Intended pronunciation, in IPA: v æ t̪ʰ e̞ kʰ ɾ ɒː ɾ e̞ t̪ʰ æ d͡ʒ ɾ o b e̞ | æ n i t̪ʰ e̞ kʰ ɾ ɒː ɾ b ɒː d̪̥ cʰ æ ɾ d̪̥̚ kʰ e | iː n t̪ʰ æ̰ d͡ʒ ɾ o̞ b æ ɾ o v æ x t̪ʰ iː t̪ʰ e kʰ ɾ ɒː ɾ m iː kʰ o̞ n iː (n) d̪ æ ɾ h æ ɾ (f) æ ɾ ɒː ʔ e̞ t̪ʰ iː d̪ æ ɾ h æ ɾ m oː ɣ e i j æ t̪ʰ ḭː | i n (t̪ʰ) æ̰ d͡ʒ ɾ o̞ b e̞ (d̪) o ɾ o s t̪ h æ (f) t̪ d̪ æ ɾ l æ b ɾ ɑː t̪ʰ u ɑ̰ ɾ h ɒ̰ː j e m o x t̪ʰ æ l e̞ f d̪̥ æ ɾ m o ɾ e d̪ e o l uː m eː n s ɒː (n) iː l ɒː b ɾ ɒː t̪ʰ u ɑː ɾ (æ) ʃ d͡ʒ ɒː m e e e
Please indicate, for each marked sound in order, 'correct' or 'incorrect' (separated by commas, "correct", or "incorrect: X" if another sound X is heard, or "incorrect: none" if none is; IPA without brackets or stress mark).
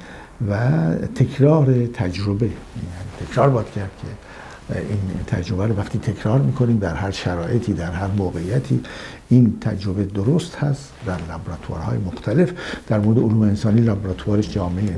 incorrect: m, incorrect: ʃ, correct, correct, incorrect: s, correct, incorrect: e